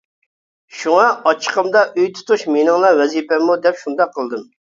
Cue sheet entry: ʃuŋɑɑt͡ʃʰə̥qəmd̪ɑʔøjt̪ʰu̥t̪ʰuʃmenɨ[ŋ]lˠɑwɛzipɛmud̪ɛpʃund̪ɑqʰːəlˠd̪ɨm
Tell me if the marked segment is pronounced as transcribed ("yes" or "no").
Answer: yes